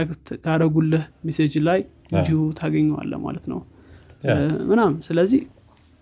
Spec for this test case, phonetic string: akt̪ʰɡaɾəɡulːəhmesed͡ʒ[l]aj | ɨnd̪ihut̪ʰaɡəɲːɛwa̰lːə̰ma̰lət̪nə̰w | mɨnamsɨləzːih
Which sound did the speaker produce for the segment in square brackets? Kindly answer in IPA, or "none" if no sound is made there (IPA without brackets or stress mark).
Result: l